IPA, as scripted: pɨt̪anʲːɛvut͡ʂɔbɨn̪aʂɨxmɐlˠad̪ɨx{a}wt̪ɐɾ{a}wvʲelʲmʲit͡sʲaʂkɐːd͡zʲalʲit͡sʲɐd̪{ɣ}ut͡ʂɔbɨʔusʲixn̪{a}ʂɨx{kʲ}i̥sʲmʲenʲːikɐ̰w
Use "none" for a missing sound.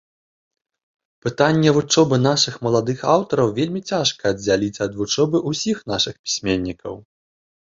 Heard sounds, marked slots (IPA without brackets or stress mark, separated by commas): a, ɐ, v, a, pʲ